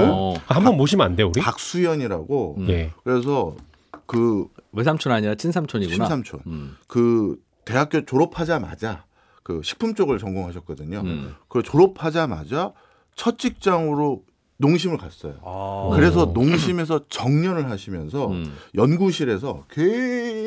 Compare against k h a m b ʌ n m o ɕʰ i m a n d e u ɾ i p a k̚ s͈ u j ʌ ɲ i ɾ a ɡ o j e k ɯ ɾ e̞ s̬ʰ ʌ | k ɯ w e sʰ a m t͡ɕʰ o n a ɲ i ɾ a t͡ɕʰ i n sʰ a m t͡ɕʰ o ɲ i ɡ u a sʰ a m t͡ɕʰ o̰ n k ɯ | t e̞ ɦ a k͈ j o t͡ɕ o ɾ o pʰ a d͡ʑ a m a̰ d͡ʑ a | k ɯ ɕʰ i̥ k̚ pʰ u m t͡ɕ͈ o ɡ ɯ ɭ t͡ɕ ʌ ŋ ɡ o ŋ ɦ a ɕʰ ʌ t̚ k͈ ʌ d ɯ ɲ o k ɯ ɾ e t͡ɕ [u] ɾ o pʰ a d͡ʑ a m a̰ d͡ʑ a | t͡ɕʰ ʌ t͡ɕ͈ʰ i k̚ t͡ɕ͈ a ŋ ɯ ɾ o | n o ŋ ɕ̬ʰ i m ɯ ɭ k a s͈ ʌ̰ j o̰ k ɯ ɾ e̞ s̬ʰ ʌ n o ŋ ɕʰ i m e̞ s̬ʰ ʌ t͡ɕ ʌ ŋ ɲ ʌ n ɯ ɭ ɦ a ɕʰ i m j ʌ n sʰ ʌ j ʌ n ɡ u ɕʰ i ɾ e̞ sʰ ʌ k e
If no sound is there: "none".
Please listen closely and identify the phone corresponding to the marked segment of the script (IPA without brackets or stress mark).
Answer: o